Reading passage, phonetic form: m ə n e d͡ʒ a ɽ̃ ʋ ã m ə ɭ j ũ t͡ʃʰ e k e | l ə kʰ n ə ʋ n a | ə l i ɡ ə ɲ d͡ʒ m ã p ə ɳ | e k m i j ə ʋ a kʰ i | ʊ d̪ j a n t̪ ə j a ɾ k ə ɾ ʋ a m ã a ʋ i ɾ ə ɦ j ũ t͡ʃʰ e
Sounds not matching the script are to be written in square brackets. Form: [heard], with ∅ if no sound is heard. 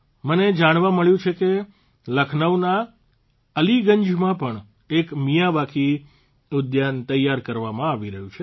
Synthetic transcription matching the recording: m ə n e d͡ʒ a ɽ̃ ʋ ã m ə ɭ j ũ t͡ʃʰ e k e | l ə kʰ n ə ʋ n a | ə l i ɡ ə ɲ d͡ʒ m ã p ə ɳ | e k m i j [a] ʋ a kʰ i | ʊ d̪ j a n t̪ ə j a ɾ k ə ɾ ʋ a m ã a ʋ i ɾ ə ɦ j ũ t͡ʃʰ e